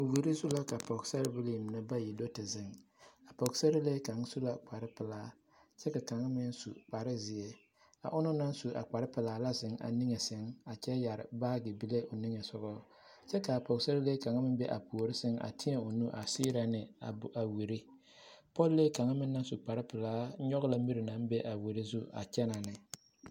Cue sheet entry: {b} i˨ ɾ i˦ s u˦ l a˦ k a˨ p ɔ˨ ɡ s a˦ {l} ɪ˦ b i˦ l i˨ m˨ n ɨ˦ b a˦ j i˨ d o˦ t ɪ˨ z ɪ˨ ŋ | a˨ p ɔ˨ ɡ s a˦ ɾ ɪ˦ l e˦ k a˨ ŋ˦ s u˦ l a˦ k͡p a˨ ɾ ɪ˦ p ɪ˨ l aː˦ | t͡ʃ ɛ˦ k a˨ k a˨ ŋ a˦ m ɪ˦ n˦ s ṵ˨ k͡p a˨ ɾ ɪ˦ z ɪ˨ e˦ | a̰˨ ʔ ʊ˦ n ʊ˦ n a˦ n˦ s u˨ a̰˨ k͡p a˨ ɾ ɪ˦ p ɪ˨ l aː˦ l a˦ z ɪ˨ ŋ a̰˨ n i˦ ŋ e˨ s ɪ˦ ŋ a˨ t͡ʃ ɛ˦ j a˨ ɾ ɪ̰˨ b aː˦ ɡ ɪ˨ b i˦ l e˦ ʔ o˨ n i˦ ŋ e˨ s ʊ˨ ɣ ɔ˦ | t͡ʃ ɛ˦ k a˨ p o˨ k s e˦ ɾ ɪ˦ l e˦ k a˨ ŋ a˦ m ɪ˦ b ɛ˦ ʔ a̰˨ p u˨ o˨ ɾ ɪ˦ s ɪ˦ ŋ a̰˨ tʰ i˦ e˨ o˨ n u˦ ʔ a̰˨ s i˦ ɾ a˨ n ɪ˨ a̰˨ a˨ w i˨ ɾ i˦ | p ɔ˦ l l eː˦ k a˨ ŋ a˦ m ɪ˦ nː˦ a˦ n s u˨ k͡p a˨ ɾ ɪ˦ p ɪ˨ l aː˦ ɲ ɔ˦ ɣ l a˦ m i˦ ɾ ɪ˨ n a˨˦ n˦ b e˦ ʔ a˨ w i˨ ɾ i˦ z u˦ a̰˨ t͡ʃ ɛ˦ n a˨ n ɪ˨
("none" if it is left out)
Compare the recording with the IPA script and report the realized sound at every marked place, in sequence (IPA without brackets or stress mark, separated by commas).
w, ɾ